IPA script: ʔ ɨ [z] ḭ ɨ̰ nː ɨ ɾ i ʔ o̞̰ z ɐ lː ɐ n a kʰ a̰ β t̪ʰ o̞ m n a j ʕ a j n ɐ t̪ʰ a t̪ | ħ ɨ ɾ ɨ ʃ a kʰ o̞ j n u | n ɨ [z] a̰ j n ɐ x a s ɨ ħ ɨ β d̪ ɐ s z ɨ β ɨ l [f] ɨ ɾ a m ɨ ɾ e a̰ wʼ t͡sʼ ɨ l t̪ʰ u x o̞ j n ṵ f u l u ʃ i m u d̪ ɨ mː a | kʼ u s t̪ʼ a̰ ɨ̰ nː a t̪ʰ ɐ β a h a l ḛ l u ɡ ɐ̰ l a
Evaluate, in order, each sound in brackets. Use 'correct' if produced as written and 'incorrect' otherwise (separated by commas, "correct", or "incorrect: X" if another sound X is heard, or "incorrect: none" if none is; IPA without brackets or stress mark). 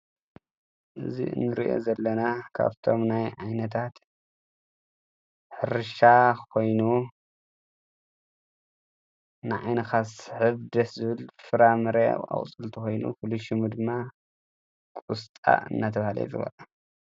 correct, incorrect: ʕ, correct